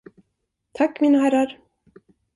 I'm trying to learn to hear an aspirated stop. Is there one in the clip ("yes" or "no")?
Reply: yes